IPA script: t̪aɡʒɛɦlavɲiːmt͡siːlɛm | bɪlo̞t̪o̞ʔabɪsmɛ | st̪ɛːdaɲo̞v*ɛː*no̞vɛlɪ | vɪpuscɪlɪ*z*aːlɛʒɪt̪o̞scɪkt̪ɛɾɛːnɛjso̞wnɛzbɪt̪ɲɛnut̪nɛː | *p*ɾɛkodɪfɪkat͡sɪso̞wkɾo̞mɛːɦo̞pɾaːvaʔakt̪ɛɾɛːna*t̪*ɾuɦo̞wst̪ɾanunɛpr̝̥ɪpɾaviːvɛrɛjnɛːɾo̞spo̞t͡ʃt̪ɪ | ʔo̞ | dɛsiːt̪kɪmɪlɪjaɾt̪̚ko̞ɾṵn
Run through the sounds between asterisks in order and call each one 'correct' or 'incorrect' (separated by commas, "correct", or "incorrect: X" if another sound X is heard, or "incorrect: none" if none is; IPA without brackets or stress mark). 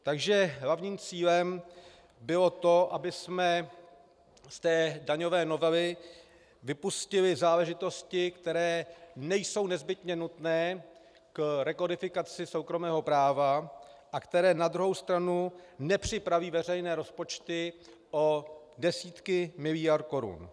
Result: correct, correct, incorrect: k, incorrect: d̪